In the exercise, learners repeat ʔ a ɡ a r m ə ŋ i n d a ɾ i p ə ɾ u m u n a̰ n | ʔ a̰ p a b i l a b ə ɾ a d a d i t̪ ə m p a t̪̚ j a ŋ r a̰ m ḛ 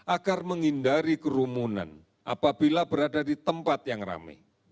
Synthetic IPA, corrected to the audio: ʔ a ɡ a r m ə ŋ i n d a ɾ i k ə ɾ u m u n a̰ n | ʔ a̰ p a b i l a b ə ɾ a d a d i t̪ ə m p a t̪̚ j a ŋ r a̰ m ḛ